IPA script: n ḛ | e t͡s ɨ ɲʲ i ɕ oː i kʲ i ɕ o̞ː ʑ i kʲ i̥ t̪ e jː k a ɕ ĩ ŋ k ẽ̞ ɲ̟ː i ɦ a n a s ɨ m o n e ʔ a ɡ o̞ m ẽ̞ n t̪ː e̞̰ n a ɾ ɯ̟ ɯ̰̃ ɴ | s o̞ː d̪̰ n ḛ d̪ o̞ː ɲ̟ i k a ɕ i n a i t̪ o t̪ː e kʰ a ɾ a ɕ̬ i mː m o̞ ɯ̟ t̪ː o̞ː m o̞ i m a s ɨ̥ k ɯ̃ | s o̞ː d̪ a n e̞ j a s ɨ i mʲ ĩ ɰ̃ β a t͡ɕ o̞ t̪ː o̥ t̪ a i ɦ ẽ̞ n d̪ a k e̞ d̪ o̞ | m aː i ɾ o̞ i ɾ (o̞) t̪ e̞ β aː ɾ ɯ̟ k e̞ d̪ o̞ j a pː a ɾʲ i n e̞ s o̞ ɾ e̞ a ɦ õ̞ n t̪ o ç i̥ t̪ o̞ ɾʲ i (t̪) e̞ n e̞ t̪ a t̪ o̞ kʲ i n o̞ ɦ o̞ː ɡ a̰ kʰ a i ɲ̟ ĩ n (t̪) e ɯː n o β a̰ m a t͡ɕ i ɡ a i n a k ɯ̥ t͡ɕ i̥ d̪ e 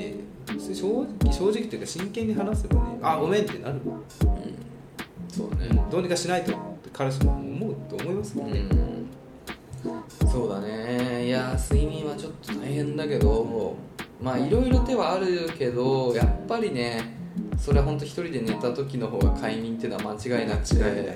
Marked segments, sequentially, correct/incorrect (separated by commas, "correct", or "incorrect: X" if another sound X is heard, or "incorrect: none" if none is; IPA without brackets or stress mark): correct, incorrect: d̪, correct